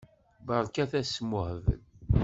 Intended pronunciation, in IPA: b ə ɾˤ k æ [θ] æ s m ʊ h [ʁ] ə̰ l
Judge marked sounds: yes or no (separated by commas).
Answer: yes, no